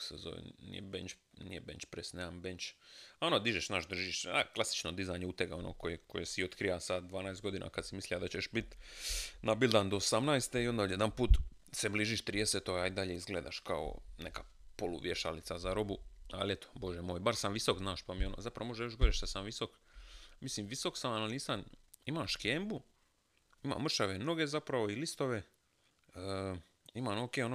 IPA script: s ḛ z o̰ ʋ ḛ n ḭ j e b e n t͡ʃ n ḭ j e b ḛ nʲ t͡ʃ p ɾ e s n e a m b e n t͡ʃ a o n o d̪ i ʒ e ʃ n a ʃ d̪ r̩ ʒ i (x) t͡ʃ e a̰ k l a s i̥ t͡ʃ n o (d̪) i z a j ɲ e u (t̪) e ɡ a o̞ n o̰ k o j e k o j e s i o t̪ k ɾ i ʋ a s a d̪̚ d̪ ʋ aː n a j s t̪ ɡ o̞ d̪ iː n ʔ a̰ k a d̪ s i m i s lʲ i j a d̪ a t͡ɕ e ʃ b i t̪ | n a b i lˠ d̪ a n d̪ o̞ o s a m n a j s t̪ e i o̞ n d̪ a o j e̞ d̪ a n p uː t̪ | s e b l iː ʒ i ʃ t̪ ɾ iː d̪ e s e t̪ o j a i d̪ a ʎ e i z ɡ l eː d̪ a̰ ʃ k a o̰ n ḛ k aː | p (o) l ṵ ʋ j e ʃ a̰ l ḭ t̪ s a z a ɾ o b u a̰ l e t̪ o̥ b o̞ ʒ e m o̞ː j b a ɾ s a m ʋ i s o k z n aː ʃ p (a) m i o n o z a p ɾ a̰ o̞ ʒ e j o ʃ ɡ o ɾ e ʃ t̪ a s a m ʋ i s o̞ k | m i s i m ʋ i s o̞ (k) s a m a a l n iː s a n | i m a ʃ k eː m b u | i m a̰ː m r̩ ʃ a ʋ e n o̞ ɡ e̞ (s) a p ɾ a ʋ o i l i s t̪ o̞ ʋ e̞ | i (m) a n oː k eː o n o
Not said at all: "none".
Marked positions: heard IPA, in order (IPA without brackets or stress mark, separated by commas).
ʃ, d̪, t̪, o, a, k, z, m